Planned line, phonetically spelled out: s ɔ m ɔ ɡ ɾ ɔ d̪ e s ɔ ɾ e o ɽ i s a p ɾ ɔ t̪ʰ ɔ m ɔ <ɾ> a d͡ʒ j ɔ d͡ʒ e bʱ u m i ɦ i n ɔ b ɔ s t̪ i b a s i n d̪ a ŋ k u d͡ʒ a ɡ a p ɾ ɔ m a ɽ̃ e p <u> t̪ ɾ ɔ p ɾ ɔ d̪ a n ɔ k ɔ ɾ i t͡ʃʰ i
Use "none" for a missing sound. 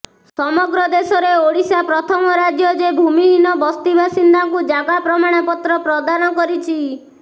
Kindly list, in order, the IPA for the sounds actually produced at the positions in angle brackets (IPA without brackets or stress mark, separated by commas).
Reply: ɾ, ɔ